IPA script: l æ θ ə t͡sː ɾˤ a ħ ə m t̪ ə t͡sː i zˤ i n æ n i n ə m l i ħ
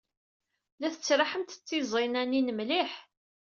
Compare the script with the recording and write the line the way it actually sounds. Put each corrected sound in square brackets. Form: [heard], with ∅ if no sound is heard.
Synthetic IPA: l æ θ ə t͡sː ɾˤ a ħ ə m t̪ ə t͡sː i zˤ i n æ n i n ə m l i ħ